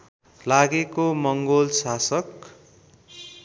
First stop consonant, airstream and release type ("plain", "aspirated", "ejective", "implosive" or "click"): plain